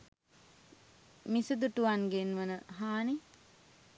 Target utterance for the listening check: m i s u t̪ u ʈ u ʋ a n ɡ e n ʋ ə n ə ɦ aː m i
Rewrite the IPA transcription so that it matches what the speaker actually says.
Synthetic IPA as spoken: m i s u d̪ u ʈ u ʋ a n ɡ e n ʋ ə n ə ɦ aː n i